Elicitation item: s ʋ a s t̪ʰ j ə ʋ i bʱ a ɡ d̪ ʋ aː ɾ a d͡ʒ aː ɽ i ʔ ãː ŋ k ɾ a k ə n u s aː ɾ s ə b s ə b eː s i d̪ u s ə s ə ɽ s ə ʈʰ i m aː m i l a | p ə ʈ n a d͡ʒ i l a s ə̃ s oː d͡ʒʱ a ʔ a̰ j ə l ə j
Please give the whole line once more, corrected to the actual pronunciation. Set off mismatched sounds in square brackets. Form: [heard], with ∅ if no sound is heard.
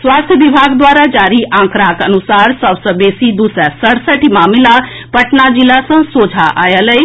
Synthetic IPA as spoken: s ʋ a s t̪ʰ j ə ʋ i bʱ a ɡ d̪ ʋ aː ɾ a d͡ʒ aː [ɾ] i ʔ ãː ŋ k ɾ a k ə n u s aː ɾ s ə b s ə b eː s i d̪ u s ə s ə ɽ s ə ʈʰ i m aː m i l a | p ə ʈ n a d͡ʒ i l a s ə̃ s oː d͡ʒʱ a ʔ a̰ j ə l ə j

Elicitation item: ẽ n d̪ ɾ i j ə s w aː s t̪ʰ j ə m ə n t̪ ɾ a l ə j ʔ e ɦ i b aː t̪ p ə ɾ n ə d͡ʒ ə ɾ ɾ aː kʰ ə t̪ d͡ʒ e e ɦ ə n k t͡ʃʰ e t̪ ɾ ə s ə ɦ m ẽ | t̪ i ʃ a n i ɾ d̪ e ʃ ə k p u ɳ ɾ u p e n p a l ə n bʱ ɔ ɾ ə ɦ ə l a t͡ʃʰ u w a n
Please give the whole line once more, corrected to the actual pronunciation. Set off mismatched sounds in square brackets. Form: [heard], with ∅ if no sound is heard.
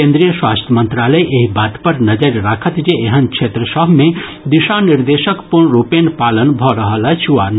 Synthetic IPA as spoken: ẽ n d̪ ɾ i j ə s w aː s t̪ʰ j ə m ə n t̪ ɾ a l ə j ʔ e ɦ i b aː t̪ p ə ɾ n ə d͡ʒ ə ɾ ɾ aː kʰ ə t̪ d͡ʒ e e ɦ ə n k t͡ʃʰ e t̪ ɾ ə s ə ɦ m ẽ | [d̪] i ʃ a n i ɾ d̪ e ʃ ə k p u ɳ ɾ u p e n p a l ə n bʱ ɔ ɾ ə ɦ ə l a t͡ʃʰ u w a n

